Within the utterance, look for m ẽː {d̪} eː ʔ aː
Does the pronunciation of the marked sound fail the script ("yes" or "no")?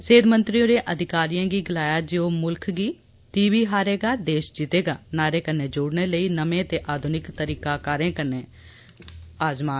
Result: yes